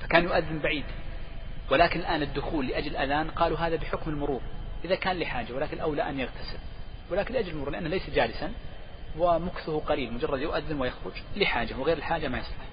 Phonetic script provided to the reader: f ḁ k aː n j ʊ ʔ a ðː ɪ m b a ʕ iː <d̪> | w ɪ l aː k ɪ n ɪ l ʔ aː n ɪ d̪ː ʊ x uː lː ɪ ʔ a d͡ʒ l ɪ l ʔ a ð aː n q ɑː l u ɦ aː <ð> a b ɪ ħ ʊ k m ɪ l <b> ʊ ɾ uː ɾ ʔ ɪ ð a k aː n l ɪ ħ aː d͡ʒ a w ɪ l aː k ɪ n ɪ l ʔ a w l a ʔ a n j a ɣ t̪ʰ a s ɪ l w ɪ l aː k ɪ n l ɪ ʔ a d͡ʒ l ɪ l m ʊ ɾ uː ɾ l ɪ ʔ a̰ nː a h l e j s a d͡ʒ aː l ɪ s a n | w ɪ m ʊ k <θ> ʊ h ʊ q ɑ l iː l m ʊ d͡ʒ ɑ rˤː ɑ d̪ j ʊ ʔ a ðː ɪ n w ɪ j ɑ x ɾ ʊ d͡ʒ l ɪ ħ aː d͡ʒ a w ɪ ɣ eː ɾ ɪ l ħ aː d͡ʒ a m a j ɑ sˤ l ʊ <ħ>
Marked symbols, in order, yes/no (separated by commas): yes, yes, no, yes, yes